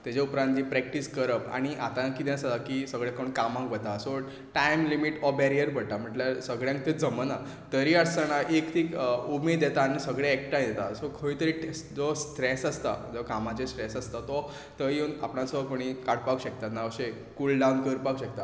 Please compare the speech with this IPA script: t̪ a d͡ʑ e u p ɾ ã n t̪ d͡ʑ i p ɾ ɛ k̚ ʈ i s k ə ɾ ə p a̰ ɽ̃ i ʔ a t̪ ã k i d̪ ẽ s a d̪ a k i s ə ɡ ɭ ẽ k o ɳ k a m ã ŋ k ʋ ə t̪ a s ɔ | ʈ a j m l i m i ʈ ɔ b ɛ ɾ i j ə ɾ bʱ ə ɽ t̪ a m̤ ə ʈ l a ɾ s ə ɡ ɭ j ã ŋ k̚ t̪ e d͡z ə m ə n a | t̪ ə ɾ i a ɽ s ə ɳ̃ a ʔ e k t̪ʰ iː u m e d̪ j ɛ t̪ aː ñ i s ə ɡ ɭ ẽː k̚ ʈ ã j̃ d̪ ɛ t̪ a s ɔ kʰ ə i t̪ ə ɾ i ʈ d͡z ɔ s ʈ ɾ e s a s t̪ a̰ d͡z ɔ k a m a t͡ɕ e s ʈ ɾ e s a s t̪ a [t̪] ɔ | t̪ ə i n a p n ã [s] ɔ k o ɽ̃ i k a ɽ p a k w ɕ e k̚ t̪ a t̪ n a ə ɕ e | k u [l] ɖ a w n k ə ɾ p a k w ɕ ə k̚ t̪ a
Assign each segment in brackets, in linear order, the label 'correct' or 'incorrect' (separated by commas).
correct, correct, correct